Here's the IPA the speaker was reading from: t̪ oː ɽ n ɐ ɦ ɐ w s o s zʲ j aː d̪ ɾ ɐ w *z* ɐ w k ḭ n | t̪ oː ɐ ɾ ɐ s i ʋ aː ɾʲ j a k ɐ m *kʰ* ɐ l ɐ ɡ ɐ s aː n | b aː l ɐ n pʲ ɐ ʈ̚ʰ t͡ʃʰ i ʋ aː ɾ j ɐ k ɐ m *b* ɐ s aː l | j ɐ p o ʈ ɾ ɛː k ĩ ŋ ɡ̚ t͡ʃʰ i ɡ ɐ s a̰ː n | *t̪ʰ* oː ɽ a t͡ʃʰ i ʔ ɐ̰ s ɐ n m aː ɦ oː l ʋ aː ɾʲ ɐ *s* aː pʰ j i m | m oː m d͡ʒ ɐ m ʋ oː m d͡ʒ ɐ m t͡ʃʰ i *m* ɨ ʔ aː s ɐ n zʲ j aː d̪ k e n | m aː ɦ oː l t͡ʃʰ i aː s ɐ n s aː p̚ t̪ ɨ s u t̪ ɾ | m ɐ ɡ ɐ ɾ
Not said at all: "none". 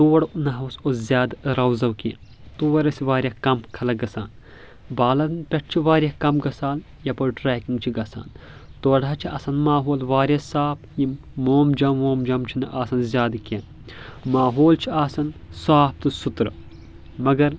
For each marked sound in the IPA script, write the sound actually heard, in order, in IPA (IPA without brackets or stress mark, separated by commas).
z, kʰ, ɡ, t̪, s, n